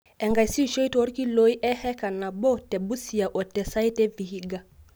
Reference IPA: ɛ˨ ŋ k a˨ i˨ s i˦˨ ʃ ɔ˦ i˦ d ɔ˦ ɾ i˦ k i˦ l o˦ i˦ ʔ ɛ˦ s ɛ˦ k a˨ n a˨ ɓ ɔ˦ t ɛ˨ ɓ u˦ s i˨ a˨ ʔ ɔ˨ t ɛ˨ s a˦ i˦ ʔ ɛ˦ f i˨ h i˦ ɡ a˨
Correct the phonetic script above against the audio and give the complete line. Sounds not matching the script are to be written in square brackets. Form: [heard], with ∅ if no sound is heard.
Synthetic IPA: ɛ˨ ŋ [ɡ] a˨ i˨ s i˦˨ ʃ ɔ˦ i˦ [t] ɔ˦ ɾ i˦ k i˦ l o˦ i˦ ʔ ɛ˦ [h] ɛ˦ k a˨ n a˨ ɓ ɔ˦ t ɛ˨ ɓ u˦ s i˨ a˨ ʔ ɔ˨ t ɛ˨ s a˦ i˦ [t] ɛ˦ [v] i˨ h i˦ ɡ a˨